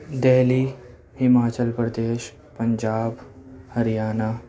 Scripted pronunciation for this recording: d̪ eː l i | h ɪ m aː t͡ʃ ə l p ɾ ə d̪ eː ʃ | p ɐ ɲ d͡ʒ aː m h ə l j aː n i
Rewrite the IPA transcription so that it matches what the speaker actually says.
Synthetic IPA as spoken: d̪ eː l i | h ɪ m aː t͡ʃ ə l p ɾ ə d̪ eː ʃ | p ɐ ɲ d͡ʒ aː b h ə ɾ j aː n a